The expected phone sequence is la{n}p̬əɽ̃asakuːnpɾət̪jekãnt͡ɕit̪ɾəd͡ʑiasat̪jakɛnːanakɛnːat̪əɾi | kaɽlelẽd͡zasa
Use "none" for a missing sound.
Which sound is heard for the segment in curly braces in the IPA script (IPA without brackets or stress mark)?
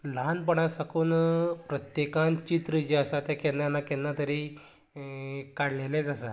n